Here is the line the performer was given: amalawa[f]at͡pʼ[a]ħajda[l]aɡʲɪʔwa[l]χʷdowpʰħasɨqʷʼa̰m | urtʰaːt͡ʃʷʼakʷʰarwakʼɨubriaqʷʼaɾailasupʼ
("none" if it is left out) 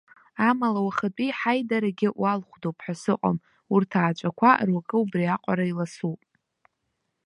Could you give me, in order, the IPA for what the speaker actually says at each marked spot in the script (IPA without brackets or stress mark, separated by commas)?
χ, i, ɾ, l